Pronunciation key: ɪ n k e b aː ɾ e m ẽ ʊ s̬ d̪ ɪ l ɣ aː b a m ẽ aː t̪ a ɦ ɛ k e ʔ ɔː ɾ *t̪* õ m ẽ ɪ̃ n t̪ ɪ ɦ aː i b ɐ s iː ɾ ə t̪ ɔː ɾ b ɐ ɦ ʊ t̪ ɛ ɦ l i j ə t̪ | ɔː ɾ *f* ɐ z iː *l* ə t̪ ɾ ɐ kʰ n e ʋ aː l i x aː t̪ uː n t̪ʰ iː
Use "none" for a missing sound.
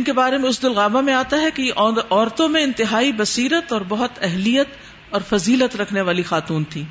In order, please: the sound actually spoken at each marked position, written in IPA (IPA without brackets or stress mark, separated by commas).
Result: t̪, f, l